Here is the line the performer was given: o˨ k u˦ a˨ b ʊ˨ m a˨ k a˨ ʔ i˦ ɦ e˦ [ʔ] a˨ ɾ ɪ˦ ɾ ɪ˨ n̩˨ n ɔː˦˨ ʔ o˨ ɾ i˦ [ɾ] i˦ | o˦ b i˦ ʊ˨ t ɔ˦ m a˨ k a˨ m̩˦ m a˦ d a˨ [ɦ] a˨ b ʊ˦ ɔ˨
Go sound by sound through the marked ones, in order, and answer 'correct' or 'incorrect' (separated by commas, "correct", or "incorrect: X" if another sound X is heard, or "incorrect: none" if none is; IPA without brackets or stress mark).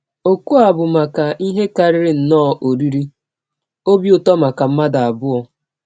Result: incorrect: k, correct, incorrect: none